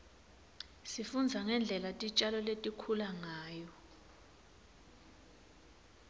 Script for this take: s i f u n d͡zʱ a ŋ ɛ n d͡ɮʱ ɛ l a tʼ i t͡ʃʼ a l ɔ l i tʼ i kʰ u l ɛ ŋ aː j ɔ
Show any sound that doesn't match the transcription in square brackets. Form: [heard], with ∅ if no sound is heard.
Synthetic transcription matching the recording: s i f u n d͡zʱ a ŋ ɛ n d͡ɮʱ ɛ l a tʼ i t͡ʃʼ a l ɔ l [e] tʼ i kʰ u l [a] ŋ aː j ɔ